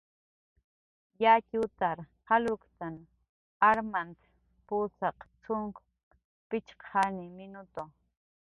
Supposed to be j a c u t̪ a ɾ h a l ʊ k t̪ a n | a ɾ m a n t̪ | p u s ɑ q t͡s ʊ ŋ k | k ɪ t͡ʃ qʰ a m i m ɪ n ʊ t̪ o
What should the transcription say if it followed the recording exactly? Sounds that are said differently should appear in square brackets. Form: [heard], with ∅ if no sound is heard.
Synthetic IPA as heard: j a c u t̪ a ɾ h a l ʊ k t̪ a n | a ɾ m a n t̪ | p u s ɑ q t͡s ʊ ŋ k | [p] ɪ t͡ʃ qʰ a [n] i m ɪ n ʊ t̪ o